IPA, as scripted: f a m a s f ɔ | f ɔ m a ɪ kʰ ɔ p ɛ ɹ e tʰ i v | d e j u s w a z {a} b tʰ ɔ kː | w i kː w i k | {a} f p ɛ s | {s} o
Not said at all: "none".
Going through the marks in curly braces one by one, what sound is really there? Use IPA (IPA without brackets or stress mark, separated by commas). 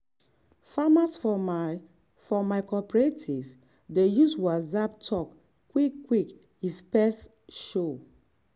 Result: a, i, ʃ